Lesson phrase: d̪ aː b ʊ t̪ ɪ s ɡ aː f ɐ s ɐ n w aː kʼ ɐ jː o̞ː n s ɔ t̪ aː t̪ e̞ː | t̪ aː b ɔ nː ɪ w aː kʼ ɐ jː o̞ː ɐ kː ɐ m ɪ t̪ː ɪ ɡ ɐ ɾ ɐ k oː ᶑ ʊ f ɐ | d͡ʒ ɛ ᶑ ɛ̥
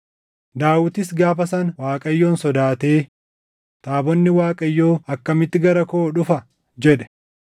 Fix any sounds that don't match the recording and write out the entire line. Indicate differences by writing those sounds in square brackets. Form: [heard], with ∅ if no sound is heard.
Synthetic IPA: d̪ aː [w] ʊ t̪ ɪ s ɡ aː f ɐ s ɐ n w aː kʼ ɐ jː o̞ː n s ɔ [d̪] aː t̪ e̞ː | t̪ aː b ɔ nː ɪ w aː kʼ ɐ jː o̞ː ɐ kː ɐ m ɪ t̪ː ɪ ɡ ɐ ɾ ɐ k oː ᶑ ʊ f ɐ | d͡ʒ ɛ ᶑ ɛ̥

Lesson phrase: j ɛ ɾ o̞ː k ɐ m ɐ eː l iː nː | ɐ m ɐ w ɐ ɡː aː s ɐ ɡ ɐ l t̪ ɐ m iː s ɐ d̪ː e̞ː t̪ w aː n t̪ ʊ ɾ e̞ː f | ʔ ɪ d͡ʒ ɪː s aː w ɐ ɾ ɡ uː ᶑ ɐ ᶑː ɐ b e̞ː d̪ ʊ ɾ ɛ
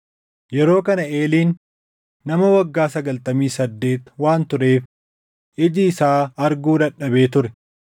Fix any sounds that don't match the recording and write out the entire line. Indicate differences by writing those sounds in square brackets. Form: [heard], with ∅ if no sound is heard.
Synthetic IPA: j ɛ ɾ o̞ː k ɐ [n] ɐ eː l iː nː | ɐ m ɐ w ɐ ɡː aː s ɐ ɡ ɐ l t̪ ɐ m iː s ɐ d̪ː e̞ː t̪ w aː n t̪ ʊ ɾ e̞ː f | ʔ ɪ d͡ʒ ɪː s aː [∅] ɐ ɾ ɡ uː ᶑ ɐ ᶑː ɐ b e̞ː [t̪] ʊ ɾ ɛ

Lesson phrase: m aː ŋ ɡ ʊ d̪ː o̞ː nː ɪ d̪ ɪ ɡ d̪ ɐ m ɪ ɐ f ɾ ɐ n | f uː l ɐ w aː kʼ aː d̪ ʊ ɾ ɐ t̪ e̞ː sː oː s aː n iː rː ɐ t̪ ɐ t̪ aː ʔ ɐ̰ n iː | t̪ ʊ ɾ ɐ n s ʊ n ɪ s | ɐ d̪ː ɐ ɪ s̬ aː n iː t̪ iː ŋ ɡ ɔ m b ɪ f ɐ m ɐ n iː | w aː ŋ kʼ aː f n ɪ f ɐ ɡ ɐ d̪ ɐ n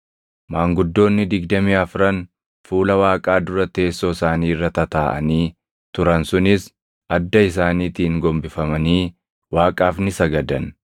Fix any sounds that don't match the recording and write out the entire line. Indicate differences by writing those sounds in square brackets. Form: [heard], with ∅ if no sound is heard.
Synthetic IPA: m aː ŋ ɡ ʊ d̪ː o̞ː nː ɪ d̪ ɪ ɡ d̪ ɐ m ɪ ɐ f ɾ ɐ n | f uː l ɐ w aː kʼ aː d̪ ʊ ɾ ɐ t̪ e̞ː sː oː s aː n iː rː ɐ t̪ ɐ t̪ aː ʔ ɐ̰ n iː | t̪ ʊ ɾ ɐ n s ʊ n ɪ s | ɐ d̪ː ɐ ɪ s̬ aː n iː t̪ iː ŋ ɡ ɔ m b ɪ f ɐ m ɐ n iː | w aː [∅] kʼ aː f n ɪ [s] ɐ ɡ ɐ d̪ ɐ n

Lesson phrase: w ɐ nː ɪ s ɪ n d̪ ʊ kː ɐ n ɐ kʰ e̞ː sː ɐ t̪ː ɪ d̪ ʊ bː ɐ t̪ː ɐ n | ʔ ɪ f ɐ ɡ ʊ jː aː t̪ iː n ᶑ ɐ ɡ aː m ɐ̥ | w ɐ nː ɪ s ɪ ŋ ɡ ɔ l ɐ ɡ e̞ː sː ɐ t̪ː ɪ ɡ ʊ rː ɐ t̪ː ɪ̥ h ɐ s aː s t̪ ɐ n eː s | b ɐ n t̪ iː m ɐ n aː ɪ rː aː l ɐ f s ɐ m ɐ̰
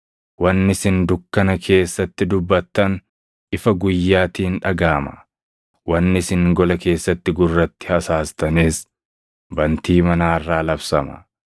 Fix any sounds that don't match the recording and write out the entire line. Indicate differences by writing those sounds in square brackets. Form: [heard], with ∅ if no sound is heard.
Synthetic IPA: w ɐ nː ɪ s ɪ n d̪ ʊ kː ɐ n ɐ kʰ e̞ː sː ɐ t̪ː ɪ d̪ ʊ bː ɐ t̪ː ɐ n | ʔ ɪ f ɐ ɡ ʊ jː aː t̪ iː n ᶑ ɐ ɡ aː m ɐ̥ | w ɐ nː ɪ s ɪ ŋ ɡ ɔ l ɐ [k] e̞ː sː ɐ t̪ː ɪ ɡ ʊ rː ɐ t̪ː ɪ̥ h ɐ s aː s t̪ ɐ n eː s | b ɐ n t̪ iː m ɐ n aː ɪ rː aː l ɐ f s ɐ m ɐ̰

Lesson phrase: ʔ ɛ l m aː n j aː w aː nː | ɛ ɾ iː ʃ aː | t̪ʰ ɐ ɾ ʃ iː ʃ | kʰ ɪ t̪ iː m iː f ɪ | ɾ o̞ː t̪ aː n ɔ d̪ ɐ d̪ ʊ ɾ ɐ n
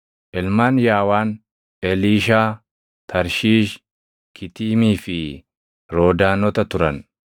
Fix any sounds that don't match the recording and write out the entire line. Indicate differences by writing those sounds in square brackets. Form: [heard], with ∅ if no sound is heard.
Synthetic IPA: ʔ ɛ l m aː n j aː w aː [n] | ɛ [l] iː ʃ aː | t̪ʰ ɐ ɾ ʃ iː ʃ | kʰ ɪ t̪ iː m iː f ɪ | ɾ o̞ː [d̪] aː n ɔ [t̪] ɐ [t̪] ʊ ɾ ɐ n

